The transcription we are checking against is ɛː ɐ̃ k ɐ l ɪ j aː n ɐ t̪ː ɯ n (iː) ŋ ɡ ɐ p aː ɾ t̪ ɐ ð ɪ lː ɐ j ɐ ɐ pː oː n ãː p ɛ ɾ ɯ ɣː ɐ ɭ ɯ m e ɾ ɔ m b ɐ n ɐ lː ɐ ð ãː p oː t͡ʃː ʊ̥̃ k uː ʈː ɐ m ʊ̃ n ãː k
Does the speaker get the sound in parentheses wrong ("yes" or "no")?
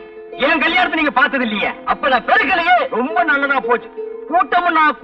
no